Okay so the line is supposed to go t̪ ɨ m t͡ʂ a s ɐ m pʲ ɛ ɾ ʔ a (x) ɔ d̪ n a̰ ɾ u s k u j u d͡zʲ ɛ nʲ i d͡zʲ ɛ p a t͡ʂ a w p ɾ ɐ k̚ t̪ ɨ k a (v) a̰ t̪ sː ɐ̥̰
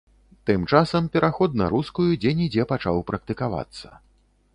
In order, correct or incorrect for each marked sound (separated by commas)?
correct, correct